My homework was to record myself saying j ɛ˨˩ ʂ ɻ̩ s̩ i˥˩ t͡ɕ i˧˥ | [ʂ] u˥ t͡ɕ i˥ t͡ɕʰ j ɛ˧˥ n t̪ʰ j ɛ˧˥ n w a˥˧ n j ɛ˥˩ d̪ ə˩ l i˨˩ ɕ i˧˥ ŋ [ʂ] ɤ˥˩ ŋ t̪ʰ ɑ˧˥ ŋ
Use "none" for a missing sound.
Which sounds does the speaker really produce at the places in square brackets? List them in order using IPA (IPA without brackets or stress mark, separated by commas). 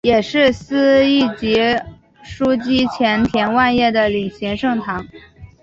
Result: ʂ, ʂ